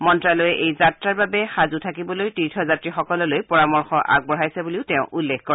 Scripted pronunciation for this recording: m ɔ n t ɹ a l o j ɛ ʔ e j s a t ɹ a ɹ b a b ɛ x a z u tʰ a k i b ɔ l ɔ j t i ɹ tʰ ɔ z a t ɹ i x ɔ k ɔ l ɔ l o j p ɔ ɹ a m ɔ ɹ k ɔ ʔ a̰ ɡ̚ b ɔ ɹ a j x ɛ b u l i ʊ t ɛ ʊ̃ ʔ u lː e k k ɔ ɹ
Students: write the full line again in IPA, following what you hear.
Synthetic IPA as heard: m ɔ n t ɹ a l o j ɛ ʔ e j z a t ɹ a ɹ b a b ɛ x a z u tʰ a k i b ɔ l o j t i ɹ tʰ ɔ z a t ɹ i x ɔ k ɔ l ɔ l o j p ɔ ɹ a m ɔ ɹ x ɔ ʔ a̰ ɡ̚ b ɔ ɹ a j s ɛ b u l i ʊ t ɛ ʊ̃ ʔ u lː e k k ɔ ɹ